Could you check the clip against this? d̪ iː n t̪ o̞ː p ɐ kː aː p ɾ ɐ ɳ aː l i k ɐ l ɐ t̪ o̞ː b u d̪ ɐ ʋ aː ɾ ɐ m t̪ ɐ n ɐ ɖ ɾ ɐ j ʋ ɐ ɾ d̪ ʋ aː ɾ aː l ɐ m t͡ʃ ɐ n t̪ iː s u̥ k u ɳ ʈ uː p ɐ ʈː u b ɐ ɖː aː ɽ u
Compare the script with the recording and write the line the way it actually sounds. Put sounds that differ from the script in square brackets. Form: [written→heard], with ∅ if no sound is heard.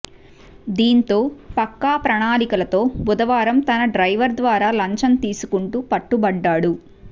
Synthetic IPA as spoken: d̪ iː n t̪ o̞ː p ɐ kː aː p ɾ ɐ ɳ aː l i k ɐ l ɐ t̪ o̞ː b u d̪ ɐ ʋ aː ɾ ɐ m t̪ ɐ n ɐ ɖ ɾ ɐ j ʋ ɐ ɾ d̪ ʋ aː ɾ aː l ɐ [m→ɲ] t͡ʃ ɐ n t̪ iː s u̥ k u ɳ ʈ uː p ɐ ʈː u b ɐ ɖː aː ɽ u